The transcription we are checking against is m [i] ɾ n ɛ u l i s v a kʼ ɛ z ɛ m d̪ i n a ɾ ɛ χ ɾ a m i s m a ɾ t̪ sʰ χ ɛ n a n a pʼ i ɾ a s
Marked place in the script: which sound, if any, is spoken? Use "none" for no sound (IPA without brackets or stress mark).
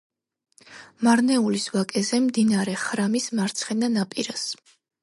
a